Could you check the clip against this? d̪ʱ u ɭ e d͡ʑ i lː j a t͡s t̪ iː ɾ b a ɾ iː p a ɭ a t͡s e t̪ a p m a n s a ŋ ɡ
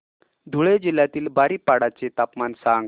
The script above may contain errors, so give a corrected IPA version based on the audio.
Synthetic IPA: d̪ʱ u ɭ e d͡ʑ i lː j a t̪ iː l b a ɾ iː p a ɽ a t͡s e t̪ a p m a n s a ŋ ɡ